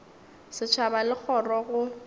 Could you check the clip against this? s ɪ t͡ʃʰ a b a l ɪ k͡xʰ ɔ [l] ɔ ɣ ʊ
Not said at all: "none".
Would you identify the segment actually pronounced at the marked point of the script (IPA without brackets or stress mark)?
r